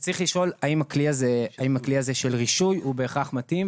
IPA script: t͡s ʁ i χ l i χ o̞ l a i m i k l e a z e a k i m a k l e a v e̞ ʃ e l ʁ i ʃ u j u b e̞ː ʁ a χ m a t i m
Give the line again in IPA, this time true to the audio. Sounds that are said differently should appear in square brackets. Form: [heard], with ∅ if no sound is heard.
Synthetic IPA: t͡s ʁ i χ l i [ʃ] o̞ l a i m [a] k l [i] a z e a [∅] i m a k l [i] a [z] e̞ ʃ e l ʁ i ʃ u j u b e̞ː [χ] a χ m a t i m

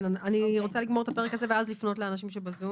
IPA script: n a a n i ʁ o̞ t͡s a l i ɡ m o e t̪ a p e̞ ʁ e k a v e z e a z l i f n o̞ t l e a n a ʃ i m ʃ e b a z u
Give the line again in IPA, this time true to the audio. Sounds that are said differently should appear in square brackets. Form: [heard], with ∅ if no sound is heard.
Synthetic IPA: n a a n i ʁ o̞ t͡s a l i ɡ m o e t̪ a p e̞ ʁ e k a [z] e [v] e a z l i f n o̞ t l e a n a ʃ i m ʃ e b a z u

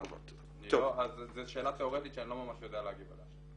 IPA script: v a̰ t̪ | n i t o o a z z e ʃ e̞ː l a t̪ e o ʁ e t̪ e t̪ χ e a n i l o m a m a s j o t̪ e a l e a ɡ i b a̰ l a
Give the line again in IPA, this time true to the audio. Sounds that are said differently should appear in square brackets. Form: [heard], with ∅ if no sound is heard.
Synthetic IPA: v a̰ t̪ | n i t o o a z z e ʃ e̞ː l a t̪ e o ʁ e t̪ [i] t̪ [ʃ] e a n i l o m a m a [ʃ] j o [d̪] e a l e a ɡ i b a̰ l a

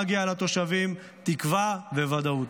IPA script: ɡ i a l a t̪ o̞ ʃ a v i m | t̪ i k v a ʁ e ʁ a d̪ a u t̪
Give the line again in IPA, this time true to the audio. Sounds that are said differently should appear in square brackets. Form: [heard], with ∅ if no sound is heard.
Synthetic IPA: ɡ i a l a t̪ o̞ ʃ a v i m | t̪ i k v a [v] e [v] a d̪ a u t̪

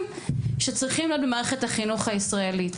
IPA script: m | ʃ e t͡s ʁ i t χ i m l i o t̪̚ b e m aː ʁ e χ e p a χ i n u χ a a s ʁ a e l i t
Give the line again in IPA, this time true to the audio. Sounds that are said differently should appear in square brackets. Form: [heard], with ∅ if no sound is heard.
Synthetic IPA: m | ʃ e t͡s ʁ i [∅] χ i m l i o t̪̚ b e m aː ʁ e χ e [t] a χ i n u χ a [i] s ʁ a e l i t

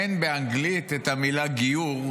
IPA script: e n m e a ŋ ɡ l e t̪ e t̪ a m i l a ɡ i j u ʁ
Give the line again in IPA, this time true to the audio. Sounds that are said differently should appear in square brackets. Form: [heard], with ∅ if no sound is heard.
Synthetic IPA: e n [b] e a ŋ ɡ l [i] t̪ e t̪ a m i l a ɡ i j u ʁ

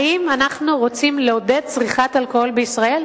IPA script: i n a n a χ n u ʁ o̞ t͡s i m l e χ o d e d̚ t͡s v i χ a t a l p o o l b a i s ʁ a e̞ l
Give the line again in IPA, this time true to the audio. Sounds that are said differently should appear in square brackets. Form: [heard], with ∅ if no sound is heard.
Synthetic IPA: i [m] a n a χ n u ʁ o̞ t͡s i m l e [∅] o d e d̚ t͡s [ʁ] i χ a t a l [k] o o l b [e] i s ʁ a e̞ l

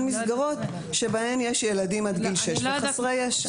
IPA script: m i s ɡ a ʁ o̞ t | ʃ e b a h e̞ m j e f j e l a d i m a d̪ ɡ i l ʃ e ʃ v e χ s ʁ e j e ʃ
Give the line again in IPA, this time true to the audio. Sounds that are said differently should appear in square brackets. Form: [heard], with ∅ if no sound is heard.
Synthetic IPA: m i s ɡ a ʁ o̞ t | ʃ e b a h e̞ m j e [ʃ] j e l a d i m a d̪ ɡ i l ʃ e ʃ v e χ s ʁ e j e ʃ

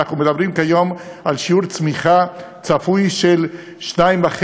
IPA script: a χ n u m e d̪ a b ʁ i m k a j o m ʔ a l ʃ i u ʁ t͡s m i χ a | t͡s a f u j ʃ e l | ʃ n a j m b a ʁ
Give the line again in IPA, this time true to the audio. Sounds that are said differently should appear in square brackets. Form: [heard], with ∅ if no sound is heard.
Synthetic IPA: a χ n u m e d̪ a b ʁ i m k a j o m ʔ a l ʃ i u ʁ t͡s m i χ a | t͡s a f u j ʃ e l | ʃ n a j m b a [χ]

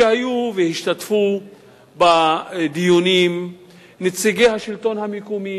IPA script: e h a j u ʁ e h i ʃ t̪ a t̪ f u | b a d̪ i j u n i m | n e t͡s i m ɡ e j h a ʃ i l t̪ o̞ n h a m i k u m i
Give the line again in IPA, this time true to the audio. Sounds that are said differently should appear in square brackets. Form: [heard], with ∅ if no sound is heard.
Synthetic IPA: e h a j u [v] e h i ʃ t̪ a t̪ f u | b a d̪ i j u n i m | n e t͡s i [∅] ɡ e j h a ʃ i l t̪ o̞ n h a m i k u m i

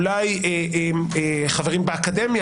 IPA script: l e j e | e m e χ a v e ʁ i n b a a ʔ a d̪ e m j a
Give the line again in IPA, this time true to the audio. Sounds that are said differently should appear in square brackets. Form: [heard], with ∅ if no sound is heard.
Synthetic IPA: l [a] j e | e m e χ a v e ʁ i [m] b [e] a [k] a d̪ e m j a

